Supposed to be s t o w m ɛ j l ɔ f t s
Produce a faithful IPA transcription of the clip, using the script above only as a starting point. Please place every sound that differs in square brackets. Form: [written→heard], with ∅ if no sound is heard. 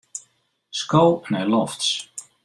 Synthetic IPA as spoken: s [t→k] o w [m→n] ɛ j l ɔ f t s